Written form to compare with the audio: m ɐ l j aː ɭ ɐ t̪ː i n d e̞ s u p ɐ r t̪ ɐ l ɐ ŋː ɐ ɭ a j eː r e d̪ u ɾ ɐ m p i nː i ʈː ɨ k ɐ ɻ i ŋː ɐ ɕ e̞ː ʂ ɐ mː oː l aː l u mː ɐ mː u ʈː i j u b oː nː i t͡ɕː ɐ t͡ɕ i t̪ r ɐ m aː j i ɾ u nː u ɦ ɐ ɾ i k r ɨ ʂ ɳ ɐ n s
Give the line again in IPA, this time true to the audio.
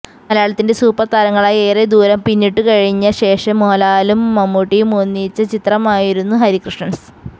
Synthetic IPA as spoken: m ɐ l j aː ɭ ɐ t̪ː i n d e̞ s uː p ɐ r t̪ ɐ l ɐ ŋː ɐ ɭ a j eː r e d̪ uː ɾ ɐ m p i nː i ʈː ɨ k ɐ ɻ i ɲː ɐ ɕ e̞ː ʂ ɐ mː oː l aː l u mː ɐ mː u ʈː i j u m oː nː i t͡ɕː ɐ t͡ɕ i t̪ r ɐ m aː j i ɾ u nː u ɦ ɐ ɾ i k r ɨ ʂ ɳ ɐ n s